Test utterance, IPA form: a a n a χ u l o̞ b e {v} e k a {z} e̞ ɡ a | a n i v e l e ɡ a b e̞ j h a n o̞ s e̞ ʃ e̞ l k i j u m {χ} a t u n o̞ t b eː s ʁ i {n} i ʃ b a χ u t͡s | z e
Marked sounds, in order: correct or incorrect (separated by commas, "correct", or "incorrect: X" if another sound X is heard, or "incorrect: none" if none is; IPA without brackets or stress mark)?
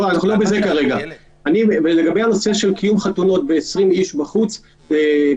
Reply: incorrect: z, incorrect: ʁ, correct, incorrect: m